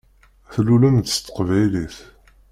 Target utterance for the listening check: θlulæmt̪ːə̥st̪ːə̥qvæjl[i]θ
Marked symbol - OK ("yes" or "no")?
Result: yes